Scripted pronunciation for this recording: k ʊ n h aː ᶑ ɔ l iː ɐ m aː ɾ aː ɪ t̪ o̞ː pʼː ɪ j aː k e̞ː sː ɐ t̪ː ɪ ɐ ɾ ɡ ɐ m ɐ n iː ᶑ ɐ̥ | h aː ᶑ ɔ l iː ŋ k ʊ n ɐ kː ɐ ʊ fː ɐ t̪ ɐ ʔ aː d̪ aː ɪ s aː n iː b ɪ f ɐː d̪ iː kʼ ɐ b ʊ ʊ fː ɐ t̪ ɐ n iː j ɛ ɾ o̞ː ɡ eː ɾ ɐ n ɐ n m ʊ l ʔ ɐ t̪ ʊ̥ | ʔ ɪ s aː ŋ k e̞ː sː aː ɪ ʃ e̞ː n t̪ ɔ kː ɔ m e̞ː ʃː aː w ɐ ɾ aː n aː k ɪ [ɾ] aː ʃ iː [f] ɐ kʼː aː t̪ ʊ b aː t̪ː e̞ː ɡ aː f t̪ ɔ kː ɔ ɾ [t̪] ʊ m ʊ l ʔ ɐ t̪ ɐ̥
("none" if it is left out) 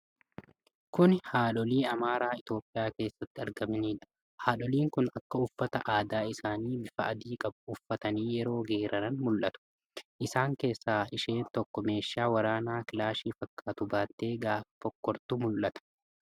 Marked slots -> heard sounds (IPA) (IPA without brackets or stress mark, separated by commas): l, f, t̪